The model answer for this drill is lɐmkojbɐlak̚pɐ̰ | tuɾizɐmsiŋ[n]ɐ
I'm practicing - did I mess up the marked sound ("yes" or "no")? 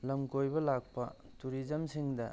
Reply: yes